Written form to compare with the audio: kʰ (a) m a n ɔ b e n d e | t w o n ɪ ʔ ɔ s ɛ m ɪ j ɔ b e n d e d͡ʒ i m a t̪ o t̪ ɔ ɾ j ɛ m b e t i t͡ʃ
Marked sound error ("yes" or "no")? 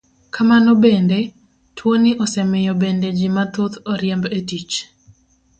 no